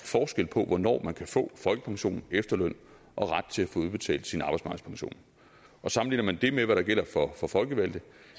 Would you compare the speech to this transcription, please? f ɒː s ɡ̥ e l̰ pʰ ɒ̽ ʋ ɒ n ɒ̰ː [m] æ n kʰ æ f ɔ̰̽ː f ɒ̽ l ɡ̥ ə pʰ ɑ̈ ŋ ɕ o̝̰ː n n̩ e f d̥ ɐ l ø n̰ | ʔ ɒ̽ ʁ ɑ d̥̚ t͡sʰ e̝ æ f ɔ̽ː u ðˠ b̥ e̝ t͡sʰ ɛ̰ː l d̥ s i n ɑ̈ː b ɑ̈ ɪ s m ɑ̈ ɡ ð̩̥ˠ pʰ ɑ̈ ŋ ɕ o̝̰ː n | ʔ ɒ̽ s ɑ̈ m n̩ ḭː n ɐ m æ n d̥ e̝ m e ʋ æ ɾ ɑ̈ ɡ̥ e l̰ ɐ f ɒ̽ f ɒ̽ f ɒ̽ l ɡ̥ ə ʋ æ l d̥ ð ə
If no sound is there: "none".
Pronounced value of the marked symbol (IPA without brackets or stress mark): m